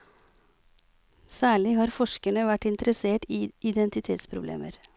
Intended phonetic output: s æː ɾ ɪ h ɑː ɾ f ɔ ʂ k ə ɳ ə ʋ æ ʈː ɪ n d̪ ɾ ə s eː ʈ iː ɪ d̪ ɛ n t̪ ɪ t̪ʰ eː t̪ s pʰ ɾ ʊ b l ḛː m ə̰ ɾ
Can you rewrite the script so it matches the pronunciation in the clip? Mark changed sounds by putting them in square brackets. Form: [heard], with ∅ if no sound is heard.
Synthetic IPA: s æː [ɭ] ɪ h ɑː ɾ f ɔ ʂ k ə ɳ ə ʋ æ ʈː ɪ n [t̪] ɾ ə s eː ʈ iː ɪ d̪ ɛ n t̪ ɪ t̪ʰ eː t̪ s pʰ ɾ ʊ b l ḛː m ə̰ ɾ